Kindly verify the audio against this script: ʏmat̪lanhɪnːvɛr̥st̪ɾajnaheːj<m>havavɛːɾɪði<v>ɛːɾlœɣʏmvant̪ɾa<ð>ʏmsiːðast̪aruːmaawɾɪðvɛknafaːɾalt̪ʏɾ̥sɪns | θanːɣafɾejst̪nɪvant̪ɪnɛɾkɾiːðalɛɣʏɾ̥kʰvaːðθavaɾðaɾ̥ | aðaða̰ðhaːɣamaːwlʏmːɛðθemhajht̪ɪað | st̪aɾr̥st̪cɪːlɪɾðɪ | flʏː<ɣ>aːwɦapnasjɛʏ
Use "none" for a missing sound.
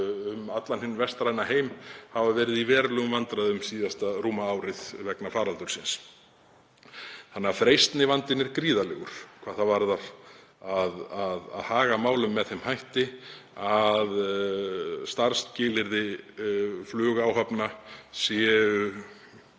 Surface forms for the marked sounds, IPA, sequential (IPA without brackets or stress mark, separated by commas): m, v, ð, ɣ